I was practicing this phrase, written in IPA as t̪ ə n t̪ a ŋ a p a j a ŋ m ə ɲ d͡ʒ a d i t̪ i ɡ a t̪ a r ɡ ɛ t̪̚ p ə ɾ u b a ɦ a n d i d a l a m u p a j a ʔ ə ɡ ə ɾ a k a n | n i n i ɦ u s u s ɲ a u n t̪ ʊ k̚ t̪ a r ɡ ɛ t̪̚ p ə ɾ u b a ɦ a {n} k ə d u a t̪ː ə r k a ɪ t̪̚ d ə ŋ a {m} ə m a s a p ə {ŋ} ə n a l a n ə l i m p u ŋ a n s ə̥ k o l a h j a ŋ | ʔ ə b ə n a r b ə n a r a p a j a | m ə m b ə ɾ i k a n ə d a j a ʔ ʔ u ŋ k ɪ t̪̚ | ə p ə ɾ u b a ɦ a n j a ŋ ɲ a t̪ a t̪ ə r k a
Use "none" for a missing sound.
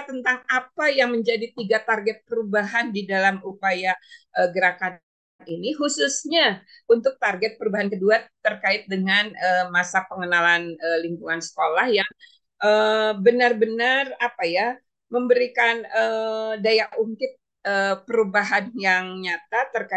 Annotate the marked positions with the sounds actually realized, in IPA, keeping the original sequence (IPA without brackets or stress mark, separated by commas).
n, n, ŋ